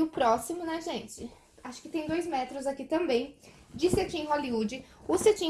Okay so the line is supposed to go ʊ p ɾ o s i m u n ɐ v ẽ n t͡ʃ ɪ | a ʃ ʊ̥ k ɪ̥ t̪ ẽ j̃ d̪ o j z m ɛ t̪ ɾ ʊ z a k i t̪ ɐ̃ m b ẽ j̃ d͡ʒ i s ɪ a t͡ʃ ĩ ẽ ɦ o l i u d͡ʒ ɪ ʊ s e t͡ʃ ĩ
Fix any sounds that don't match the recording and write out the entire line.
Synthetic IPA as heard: ʊ p ɾ ɔ s i m ʊ n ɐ ʒ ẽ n t͡ʃ ɪ | a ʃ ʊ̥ k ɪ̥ t̪ ẽ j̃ d̪ o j z m ɛ t̪ ɾ ʊ z a k i t̪ ɐ̃ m b ẽ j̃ d͡ʒ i s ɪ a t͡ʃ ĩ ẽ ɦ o l i u d͡ʒ ɪ ʊ s e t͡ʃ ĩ